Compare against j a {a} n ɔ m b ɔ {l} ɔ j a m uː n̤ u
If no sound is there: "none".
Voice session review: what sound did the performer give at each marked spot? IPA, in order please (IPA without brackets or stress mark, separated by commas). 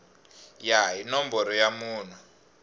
i, ɾ